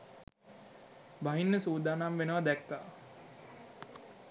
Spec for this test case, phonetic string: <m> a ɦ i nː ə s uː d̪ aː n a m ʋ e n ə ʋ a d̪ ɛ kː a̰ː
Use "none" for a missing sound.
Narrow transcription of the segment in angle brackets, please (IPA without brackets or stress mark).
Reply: b